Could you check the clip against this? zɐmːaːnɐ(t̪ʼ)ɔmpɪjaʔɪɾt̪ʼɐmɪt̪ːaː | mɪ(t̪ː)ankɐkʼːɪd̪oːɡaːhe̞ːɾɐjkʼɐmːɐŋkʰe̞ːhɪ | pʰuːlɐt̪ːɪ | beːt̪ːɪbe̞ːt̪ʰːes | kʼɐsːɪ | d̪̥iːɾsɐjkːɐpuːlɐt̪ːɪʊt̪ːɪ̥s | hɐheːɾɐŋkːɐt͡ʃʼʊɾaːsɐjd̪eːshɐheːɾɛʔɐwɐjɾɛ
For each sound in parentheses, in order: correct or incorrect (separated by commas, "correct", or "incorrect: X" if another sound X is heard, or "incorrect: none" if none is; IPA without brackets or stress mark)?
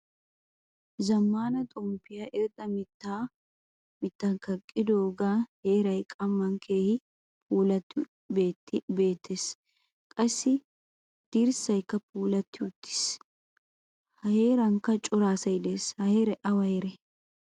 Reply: correct, correct